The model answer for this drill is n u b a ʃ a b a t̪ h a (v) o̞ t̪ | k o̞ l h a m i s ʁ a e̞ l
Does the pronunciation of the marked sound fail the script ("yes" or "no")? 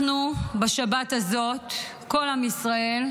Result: yes